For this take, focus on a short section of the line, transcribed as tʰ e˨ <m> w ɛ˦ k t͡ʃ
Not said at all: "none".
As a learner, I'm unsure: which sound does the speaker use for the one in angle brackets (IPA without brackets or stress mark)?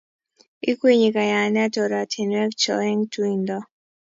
n